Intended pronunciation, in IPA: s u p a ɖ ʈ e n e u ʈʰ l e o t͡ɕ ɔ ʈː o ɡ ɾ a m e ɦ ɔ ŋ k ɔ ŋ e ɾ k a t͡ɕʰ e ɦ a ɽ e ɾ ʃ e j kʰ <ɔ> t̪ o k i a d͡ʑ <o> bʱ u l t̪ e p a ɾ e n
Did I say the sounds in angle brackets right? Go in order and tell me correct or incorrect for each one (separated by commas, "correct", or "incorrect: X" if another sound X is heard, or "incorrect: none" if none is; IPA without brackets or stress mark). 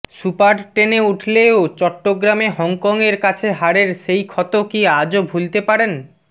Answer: correct, correct